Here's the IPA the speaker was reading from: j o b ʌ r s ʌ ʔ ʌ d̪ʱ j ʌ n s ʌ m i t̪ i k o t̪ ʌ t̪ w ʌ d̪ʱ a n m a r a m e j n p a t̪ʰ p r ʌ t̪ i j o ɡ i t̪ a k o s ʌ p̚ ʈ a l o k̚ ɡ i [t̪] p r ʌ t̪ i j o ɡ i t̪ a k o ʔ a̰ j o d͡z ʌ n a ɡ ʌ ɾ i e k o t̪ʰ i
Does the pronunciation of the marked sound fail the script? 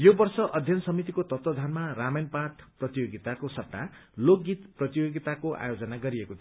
no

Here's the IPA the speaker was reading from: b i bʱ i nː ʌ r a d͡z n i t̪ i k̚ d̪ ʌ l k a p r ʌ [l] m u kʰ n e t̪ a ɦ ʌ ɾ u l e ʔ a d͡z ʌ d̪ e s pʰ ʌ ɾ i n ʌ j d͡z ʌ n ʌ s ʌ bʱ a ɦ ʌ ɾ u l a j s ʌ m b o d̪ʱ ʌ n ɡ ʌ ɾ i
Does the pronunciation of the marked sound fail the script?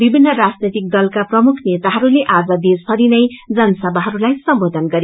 yes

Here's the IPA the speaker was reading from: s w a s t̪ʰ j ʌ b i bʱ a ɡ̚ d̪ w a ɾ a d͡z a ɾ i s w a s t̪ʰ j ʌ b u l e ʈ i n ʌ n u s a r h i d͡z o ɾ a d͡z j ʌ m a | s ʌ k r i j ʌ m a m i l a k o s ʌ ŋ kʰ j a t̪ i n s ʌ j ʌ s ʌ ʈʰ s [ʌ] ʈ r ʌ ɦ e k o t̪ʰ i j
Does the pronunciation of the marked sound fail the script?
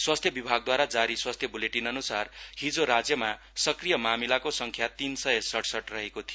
no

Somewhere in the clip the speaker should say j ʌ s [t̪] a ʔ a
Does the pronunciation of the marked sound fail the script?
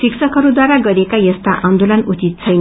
no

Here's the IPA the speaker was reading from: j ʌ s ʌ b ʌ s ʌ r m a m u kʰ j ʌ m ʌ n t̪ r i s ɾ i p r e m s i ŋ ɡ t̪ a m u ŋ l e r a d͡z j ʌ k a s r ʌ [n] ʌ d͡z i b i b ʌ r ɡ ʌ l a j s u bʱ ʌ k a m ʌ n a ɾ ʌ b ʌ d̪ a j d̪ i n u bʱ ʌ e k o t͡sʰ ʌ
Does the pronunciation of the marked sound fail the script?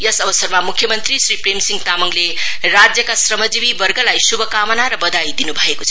yes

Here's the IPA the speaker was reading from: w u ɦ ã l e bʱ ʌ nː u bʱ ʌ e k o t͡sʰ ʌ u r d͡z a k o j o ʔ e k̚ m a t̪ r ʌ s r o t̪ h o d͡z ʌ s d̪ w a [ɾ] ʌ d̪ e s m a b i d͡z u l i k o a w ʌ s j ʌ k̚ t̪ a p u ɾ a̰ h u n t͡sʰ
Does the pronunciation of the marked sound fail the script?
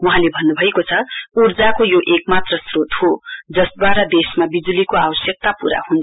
no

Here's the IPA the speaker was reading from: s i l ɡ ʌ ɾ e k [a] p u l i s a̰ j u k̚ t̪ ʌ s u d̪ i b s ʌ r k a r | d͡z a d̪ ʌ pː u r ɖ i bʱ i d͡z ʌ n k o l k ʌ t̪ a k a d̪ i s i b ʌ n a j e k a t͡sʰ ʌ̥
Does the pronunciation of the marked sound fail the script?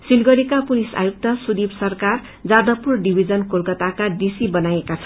no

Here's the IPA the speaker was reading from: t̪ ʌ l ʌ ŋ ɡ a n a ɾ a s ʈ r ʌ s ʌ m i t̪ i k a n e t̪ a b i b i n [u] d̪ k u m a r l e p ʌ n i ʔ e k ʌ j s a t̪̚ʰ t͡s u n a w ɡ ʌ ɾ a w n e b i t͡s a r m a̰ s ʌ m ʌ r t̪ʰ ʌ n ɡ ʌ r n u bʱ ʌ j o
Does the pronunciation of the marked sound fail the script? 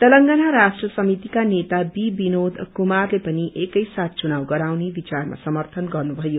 yes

